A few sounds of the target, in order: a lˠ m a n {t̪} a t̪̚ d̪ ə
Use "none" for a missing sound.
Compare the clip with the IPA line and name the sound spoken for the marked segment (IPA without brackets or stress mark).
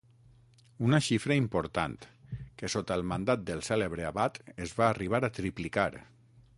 d̪